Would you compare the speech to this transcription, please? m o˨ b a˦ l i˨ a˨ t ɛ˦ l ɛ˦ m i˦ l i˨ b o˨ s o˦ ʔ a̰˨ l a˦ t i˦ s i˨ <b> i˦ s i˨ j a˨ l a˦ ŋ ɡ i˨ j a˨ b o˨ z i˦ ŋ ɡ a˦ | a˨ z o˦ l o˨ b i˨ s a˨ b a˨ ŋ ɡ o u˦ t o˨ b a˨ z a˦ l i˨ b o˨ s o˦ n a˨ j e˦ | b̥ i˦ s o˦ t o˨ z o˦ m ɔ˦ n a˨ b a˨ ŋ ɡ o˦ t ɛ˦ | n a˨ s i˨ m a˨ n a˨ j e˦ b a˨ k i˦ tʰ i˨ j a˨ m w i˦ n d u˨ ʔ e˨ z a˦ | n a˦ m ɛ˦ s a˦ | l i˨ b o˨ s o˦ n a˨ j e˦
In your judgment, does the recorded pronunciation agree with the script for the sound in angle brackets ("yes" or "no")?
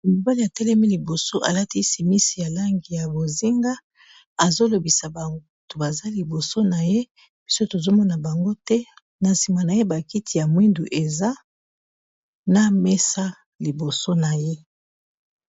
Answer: no